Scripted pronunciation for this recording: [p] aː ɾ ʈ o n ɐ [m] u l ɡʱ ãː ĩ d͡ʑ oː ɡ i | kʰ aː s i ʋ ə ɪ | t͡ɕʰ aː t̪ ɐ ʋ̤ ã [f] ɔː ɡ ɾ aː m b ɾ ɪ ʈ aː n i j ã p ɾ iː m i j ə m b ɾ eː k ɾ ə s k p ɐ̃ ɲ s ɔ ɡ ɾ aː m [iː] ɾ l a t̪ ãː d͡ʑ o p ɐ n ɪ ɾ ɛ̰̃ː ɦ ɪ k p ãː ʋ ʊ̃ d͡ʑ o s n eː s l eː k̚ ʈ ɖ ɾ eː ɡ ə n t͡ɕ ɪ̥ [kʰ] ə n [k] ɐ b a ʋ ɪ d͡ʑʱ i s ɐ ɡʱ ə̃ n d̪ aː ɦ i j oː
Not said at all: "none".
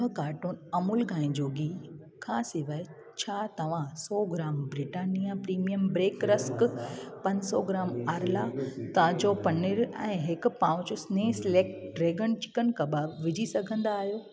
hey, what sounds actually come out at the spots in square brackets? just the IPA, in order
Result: k, m, s, aː, k, k

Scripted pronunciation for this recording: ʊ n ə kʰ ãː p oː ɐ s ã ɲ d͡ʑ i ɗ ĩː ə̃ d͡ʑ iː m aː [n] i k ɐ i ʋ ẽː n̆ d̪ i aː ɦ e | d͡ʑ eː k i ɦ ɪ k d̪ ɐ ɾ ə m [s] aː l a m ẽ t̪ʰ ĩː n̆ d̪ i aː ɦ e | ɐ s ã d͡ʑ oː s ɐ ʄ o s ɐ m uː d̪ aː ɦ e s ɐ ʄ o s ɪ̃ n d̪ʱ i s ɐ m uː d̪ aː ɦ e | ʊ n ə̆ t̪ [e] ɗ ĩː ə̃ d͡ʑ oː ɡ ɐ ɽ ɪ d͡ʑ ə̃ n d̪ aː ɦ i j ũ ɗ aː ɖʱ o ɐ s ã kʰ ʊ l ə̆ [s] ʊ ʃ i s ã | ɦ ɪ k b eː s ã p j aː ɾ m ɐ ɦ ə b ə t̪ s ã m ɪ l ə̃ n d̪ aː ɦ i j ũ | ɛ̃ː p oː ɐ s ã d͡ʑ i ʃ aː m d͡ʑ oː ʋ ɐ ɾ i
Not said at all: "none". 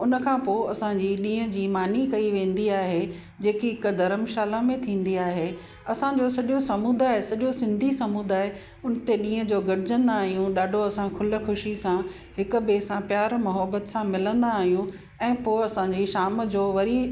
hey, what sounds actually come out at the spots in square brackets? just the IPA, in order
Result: n, ʃ, e, x

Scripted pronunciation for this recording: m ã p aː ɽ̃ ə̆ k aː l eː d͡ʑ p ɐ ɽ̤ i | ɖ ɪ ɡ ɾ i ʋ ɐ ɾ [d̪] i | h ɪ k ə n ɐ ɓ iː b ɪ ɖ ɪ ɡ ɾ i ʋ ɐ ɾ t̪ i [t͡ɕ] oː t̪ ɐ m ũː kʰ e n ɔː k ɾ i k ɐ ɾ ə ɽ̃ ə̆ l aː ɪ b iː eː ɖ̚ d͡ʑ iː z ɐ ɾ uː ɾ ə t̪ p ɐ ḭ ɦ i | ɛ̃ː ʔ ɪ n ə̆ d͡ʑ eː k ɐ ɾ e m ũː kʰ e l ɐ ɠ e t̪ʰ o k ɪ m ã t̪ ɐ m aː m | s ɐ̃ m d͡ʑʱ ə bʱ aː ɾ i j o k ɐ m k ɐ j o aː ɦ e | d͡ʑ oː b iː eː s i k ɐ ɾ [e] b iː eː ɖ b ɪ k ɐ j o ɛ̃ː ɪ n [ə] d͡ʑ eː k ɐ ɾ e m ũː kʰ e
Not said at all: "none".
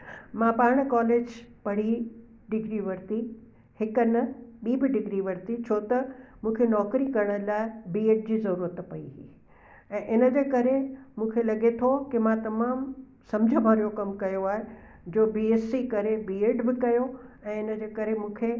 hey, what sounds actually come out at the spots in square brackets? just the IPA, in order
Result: t̪, t͡ɕʰ, e, ə

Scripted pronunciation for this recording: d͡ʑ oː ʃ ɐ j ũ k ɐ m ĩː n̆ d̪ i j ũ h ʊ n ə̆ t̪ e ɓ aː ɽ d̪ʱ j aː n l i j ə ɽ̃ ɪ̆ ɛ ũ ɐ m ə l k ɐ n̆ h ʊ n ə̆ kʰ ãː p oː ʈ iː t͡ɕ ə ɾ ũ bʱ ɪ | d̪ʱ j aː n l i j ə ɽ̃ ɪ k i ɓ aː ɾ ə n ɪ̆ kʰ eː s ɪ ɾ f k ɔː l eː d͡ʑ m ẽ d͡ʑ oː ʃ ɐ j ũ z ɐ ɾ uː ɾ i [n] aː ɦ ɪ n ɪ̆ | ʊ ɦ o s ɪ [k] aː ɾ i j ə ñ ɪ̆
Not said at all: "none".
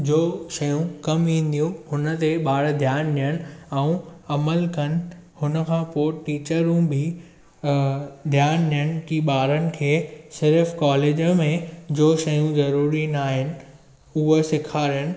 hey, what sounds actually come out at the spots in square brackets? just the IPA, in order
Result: n, kʰ

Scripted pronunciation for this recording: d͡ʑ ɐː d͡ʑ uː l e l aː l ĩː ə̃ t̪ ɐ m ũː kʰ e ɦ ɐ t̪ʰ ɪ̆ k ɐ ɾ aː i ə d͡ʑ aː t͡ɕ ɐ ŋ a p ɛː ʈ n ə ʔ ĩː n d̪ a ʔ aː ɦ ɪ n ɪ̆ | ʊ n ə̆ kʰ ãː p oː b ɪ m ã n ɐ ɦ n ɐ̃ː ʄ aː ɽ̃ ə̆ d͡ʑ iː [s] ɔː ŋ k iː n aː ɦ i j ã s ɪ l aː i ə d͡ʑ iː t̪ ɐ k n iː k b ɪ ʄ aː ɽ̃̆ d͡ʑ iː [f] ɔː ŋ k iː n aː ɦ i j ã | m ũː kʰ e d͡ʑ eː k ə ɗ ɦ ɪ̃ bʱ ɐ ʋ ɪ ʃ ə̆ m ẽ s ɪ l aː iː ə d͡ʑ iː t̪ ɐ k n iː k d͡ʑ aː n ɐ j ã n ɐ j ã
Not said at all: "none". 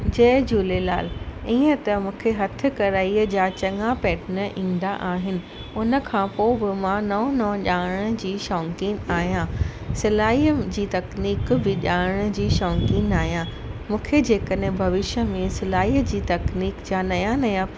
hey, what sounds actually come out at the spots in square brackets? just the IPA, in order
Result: ʃ, ʃ

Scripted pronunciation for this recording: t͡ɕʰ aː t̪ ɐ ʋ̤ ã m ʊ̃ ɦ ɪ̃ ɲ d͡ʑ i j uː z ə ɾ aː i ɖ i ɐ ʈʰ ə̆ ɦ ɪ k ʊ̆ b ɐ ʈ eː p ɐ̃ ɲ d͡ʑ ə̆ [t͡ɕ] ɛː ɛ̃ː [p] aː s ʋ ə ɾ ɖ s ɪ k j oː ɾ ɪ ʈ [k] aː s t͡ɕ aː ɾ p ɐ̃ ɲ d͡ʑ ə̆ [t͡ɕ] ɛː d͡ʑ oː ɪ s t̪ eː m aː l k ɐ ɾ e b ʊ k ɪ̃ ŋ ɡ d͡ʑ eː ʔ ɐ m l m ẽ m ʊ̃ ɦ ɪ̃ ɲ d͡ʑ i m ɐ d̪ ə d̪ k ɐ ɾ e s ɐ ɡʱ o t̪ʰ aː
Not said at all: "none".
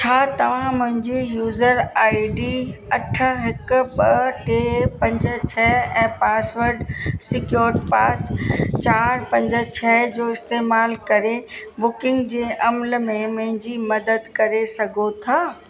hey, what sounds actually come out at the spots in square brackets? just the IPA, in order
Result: t͡ɕʰ, p, p, t͡ɕʰ

